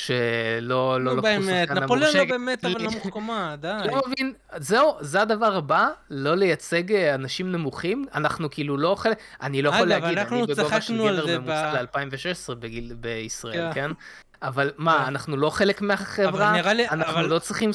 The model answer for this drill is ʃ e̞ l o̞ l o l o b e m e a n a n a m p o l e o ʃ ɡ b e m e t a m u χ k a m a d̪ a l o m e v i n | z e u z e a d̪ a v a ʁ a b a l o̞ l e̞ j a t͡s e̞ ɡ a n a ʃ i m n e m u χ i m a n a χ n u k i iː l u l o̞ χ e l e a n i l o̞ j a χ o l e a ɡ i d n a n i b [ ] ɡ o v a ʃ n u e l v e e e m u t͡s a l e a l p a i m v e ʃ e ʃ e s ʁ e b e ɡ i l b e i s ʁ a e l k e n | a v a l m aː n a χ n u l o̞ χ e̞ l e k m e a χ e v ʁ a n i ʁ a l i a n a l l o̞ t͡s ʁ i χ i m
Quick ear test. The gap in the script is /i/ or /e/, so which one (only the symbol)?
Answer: e